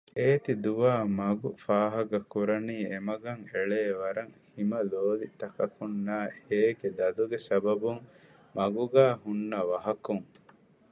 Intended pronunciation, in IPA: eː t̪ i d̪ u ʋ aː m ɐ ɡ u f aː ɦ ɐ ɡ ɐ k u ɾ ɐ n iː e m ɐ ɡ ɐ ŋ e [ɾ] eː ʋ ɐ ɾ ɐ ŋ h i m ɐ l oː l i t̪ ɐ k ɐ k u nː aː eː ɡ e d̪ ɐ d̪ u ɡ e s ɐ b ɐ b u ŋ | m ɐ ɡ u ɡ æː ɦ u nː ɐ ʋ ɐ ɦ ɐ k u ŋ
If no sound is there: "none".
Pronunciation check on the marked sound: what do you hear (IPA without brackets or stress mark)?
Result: ɭ